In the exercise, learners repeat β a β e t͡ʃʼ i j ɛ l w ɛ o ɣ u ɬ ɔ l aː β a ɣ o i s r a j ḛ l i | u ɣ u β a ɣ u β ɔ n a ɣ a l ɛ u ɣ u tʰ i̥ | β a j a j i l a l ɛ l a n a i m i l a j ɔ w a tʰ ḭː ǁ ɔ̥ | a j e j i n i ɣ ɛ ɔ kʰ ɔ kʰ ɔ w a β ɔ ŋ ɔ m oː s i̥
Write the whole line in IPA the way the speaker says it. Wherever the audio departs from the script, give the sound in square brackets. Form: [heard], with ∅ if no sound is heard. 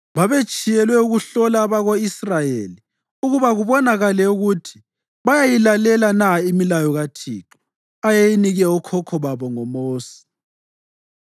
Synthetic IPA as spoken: β a β e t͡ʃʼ i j ɛ l w ɛ [u] ɣ u ɬ ɔ l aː β a ɣ o i s r a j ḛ l i | u ɣ u β a ɣ u β ɔ n a ɣ a l ɛ u ɣ u tʰ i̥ | β a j a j i l a l ɛ l a n a i m i l a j ɔ [ɣ] a tʰ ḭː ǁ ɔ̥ | a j e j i n i ɣ ɛ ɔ kʰ ɔ kʰ ɔ [β] a β ɔ ŋ ɔ m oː s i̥